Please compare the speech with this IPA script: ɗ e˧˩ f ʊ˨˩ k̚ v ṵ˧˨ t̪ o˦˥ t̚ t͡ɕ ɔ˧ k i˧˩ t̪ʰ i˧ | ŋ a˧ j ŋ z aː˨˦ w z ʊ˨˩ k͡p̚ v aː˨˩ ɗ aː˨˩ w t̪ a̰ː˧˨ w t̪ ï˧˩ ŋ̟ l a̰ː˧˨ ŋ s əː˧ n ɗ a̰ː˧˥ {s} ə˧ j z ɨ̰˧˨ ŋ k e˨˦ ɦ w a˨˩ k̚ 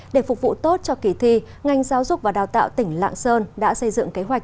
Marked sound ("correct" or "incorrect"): correct